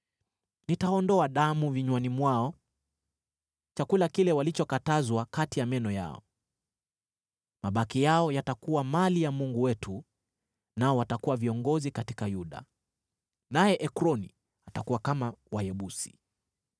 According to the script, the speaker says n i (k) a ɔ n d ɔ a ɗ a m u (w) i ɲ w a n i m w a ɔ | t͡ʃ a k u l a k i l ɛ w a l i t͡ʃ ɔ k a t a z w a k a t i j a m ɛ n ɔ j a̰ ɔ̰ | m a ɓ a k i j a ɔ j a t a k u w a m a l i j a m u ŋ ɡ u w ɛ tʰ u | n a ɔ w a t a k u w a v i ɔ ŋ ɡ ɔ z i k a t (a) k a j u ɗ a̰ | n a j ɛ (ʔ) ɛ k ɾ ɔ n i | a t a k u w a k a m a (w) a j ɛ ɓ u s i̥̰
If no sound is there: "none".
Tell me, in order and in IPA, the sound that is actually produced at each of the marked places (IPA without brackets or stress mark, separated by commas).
t, v, i, ʔ, w